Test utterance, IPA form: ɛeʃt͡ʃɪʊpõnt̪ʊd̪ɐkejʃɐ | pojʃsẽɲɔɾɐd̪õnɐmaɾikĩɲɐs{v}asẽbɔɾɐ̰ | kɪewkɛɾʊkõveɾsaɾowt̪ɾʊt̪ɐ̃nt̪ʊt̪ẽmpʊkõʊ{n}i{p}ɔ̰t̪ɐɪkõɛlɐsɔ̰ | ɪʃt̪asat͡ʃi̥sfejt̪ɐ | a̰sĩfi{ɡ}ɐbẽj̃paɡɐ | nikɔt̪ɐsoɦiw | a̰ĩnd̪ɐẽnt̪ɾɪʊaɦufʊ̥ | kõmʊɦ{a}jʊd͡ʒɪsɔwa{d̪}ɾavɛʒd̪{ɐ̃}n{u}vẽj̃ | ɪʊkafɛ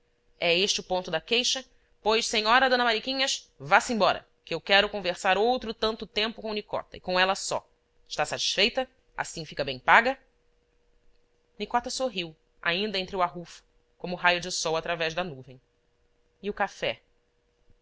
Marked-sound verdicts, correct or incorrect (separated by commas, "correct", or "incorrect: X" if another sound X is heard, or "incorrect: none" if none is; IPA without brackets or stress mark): correct, correct, incorrect: k, incorrect: k, correct, incorrect: t̪, incorrect: ɐ, correct